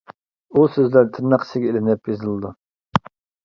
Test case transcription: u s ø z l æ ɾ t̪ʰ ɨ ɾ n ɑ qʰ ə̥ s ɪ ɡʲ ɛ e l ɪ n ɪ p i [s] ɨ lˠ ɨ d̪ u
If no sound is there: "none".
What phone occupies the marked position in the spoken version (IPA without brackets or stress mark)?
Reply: z